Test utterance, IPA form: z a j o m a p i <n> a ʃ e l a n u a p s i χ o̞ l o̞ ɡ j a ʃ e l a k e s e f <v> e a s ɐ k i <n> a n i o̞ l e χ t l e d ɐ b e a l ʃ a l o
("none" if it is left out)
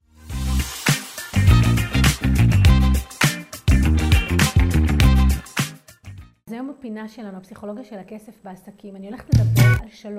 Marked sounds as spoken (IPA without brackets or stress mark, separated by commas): n, b, m